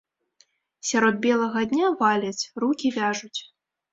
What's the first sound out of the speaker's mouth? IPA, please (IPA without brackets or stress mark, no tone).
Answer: sʲ